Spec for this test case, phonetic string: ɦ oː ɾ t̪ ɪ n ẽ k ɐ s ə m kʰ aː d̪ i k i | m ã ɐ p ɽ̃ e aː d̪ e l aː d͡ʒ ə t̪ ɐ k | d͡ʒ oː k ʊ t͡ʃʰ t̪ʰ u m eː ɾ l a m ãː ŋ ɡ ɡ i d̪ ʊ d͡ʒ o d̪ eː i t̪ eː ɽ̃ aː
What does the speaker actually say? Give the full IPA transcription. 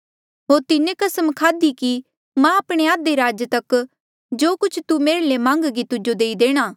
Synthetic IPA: ɦ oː ɾ t̪ ɪ n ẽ k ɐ s ə m kʰ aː d̪ i k i | m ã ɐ p ɽ̃ e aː d̪ e ɾ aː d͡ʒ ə t̪ ɐ k | d͡ʒ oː k ʊ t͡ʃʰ t̪ u m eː ɾ l e m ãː ŋ ɡ ɡ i t̪ ʊ d͡ʒ o d̪ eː i d̪ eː ɽ̃ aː